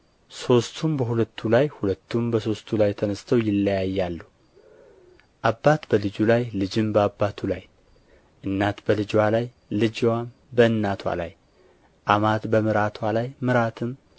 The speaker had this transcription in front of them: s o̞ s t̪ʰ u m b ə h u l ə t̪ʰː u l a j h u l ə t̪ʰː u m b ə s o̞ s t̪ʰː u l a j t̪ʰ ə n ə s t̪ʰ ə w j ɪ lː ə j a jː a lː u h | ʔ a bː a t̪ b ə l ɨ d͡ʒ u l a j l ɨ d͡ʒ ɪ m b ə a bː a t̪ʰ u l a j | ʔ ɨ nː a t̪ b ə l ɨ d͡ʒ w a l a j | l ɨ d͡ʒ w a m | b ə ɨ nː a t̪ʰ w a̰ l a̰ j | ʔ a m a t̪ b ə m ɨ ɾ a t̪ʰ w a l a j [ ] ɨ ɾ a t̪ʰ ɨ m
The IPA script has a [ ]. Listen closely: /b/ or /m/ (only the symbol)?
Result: m